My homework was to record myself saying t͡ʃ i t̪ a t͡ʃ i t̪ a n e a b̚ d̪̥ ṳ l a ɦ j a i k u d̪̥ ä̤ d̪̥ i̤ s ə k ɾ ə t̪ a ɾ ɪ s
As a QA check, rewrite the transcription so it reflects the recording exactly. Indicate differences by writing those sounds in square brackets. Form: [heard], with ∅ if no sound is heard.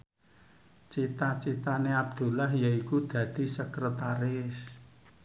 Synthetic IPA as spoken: t͡ʃ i t̪ a t͡ʃ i t̪ a n e a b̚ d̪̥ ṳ l a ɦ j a i k u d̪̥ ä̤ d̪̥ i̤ s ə k ɾ ə t̪ a ɾ ɪ s